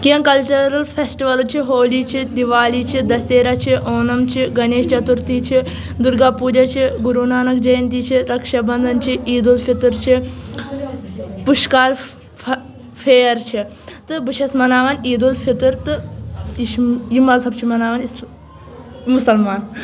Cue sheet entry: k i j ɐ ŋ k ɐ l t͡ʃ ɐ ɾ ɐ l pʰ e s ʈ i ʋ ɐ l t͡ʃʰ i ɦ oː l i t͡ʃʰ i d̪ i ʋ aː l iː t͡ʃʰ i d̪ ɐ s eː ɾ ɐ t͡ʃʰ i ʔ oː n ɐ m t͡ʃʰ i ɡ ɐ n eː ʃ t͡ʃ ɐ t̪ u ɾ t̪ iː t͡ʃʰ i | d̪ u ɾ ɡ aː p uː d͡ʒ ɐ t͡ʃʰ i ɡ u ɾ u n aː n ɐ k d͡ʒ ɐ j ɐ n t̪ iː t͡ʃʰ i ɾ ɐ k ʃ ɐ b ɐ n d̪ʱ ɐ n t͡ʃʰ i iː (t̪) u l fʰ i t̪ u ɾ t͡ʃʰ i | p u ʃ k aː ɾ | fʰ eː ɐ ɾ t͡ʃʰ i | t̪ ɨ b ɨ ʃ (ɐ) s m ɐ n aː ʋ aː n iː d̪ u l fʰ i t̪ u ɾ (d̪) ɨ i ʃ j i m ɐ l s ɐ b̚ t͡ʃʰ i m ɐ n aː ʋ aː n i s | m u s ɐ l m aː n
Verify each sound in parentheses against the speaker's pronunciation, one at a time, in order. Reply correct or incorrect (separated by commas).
incorrect, correct, incorrect